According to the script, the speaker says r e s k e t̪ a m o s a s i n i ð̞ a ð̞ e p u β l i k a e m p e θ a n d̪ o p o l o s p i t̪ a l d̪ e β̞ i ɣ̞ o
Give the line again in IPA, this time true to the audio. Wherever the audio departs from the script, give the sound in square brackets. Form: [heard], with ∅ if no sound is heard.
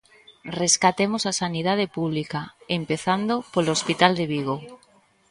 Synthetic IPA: r e s k [a] t̪ [e] m o s a s [a] n i ð̞ a ð̞ e p u β l i k a e m p e θ a n d̪ o p o l o s p i t̪ a l d̪ e β̞ i ɣ̞ o